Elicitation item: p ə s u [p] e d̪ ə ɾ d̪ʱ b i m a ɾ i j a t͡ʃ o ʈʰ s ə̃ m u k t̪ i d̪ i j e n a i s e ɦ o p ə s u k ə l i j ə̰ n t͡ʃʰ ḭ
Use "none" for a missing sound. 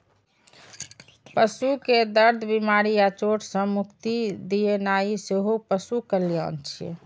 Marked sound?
k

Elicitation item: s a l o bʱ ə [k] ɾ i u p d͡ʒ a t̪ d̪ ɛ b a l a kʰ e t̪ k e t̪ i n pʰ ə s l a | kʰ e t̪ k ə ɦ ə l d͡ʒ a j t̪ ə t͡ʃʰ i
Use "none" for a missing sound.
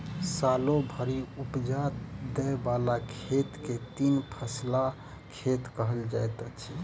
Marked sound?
none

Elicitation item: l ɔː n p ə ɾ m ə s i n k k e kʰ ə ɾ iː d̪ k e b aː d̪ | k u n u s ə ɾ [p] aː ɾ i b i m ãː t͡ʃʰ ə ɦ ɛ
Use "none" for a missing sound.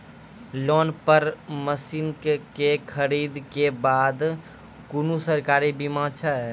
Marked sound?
k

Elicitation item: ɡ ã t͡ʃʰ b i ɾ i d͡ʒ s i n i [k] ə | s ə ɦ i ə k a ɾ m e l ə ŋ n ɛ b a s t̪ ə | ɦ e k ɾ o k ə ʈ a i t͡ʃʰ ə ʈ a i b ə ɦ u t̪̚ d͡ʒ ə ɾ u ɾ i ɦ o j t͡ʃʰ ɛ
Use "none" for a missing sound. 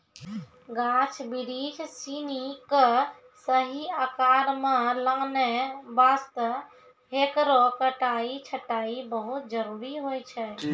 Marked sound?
k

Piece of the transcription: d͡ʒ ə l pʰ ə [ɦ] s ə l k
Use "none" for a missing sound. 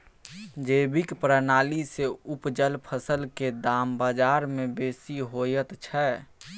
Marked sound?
none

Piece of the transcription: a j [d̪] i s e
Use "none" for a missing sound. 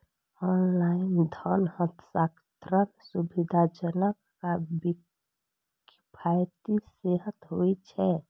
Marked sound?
t̪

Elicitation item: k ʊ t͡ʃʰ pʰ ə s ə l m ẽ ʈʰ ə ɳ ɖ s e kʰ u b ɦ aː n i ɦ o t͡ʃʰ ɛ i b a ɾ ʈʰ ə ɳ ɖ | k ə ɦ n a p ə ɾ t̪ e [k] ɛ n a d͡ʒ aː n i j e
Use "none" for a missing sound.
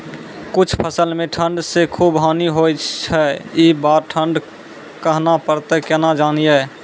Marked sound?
k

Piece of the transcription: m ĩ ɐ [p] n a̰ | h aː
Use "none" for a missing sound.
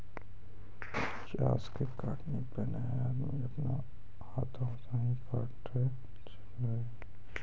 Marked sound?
p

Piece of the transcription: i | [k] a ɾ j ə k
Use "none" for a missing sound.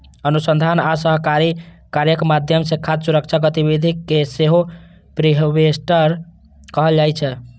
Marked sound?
k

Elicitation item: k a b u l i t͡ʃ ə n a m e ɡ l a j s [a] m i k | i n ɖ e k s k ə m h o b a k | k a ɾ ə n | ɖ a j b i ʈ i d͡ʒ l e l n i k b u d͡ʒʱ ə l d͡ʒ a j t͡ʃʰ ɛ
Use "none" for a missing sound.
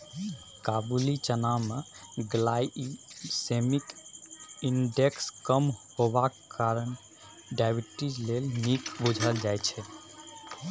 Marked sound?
e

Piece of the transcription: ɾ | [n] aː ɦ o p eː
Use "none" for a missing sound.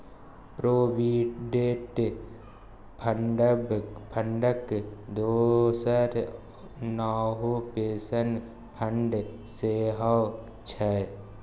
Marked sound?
n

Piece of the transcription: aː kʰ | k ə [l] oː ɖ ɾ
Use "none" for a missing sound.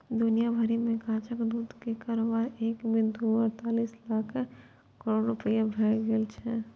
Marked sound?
ɾ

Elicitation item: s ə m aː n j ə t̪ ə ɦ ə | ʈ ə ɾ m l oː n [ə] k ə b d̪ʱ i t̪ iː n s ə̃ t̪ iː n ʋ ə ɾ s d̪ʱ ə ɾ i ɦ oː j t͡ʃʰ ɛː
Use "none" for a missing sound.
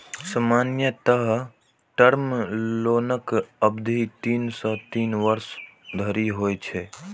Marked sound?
ə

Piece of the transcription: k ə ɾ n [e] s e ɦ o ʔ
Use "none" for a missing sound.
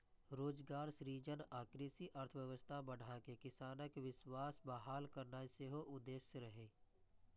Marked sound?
a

